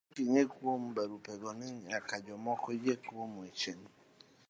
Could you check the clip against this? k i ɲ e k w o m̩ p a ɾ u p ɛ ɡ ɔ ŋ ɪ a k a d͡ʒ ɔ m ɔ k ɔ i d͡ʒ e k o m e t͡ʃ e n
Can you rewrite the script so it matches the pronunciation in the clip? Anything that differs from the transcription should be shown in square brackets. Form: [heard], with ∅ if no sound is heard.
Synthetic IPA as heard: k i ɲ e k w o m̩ [b] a ɾ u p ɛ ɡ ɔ [n] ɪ a k a d͡ʒ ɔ m ɔ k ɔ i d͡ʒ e k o m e t͡ʃ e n